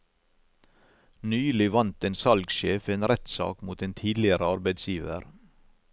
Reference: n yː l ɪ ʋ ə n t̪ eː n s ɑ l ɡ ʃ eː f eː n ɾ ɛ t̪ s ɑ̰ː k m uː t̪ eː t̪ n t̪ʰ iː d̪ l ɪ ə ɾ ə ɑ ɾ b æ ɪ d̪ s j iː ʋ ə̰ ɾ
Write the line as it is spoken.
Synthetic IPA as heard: n yː l ɪ ʋ ɑ n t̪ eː n s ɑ l ɡ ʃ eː f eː n ɾ ɛ t̪ s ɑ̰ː k m uː t̪ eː n t̪ʰ iː d̪ l ɪ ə ɾ ə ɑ ɾ b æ ɪ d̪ s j iː ʋ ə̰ ɾ